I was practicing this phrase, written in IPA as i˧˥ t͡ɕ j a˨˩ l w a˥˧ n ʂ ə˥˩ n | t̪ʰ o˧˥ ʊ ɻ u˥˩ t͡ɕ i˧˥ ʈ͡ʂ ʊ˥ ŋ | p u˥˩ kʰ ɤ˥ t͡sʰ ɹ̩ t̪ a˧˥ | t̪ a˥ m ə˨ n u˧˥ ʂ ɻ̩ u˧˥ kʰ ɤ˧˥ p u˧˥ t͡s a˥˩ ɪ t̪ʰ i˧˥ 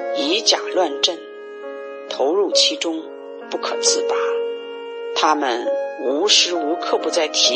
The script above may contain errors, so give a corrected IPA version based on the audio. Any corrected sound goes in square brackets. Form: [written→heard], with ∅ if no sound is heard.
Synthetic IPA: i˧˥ t͡ɕ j a˨˩ l w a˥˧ n [ʂ→ʈ͡ʂ] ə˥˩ n | t̪ʰ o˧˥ ʊ ɻ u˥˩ [t͡ɕ→t͡ɕʰ] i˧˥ ʈ͡ʂ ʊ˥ ŋ | p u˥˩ kʰ [ɤ˥→ɤ˨˩] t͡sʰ ɹ̩ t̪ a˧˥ | [t̪→t̪ʰ] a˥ m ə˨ n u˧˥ ʂ ɻ̩ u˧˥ kʰ [ɤ˧˥→ɤ˥˩] p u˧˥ t͡s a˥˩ ɪ t̪ʰ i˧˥